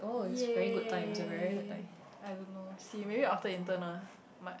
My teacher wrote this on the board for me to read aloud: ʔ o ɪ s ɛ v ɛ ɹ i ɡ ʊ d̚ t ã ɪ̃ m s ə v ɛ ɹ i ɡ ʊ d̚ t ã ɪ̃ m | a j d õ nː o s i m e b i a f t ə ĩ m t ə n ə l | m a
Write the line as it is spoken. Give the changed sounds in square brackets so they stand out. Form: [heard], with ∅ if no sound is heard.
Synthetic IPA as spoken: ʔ o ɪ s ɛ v ɛ ɹ i ɡ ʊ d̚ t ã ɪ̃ m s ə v ɛ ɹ i ɡ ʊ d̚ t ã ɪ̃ m | a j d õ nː o s i m e b i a f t ə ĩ [n] t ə n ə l | m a